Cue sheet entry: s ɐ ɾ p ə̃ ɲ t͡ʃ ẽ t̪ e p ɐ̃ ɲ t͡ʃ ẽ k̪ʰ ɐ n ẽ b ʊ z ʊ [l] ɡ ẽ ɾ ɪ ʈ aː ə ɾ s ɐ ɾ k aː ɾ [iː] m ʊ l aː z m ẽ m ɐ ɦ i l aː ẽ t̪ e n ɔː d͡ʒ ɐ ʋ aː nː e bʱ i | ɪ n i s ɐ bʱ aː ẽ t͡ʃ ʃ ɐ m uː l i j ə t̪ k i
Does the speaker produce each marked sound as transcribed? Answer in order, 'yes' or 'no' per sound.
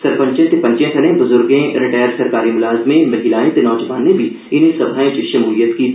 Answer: no, no

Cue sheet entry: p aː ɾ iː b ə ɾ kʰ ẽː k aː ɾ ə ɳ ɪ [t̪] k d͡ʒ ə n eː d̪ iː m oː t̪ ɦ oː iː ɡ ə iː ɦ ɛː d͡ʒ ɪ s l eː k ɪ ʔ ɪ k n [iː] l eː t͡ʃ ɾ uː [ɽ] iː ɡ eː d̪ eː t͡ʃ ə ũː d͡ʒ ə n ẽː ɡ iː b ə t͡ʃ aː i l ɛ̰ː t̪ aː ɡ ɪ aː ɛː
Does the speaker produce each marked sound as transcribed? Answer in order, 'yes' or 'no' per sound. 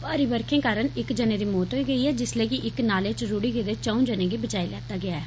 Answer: no, no, yes

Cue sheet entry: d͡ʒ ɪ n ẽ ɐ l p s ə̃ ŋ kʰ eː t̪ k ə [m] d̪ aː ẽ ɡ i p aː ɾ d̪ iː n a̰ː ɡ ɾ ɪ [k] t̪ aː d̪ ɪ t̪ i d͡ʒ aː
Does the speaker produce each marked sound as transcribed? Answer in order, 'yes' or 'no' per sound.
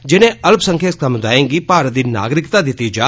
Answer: yes, yes

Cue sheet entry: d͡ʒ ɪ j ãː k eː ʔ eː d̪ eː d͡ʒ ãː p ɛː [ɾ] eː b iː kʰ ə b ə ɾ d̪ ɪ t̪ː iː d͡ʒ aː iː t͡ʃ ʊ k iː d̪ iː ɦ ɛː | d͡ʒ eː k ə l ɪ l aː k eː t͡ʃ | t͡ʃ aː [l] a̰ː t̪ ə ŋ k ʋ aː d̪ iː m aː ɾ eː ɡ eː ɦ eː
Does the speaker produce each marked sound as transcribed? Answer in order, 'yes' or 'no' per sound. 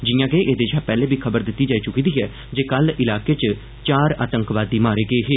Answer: no, no

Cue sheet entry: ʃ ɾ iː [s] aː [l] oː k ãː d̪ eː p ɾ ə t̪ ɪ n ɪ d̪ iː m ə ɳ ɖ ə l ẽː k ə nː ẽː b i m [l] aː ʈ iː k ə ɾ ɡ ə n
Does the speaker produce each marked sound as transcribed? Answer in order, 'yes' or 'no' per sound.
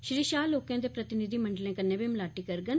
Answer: no, yes, yes

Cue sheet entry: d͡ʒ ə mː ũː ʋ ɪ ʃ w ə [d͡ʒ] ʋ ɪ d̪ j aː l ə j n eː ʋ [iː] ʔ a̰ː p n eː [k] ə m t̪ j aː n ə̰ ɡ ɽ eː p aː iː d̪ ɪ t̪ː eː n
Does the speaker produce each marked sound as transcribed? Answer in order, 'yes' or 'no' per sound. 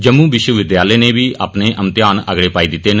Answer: no, yes, no

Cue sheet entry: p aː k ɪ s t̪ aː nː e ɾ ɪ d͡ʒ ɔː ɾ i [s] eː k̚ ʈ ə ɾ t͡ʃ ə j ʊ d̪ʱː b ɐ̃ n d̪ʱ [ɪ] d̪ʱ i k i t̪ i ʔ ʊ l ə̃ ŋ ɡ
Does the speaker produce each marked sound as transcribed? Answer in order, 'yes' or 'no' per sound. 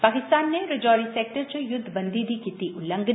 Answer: yes, no

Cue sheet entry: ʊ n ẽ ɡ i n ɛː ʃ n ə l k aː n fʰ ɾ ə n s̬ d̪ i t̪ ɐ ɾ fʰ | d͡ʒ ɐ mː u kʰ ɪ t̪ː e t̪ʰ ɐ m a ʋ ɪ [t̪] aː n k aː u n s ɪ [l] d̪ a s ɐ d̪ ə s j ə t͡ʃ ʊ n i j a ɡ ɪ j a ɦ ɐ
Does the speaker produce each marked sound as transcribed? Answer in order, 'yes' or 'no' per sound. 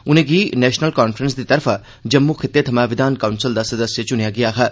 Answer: no, yes

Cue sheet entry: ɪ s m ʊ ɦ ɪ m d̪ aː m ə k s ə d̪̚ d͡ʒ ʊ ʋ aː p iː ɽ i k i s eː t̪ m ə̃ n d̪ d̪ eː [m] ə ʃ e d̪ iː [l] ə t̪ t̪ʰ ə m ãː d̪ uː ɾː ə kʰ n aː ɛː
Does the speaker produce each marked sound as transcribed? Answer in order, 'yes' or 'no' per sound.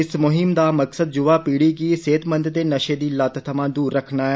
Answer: no, yes

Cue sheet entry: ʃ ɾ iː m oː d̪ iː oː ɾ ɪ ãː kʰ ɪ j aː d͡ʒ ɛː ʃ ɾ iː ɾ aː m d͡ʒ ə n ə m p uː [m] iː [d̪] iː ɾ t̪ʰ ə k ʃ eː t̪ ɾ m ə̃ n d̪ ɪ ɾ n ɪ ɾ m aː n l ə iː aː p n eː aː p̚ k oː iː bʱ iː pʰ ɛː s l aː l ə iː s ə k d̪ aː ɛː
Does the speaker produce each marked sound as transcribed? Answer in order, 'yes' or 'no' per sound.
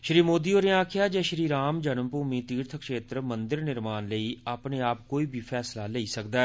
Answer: yes, no

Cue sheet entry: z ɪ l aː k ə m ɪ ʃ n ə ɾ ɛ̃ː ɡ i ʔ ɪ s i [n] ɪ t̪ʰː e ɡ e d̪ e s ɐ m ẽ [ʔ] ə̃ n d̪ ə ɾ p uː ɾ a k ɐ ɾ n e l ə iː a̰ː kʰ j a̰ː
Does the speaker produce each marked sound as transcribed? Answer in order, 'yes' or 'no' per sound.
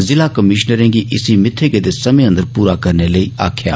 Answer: no, no

